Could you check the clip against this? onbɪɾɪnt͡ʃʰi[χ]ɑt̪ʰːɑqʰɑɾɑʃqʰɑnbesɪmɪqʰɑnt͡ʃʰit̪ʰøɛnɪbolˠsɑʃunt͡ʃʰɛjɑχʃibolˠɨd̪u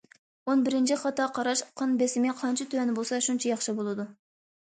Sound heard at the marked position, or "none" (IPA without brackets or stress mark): χ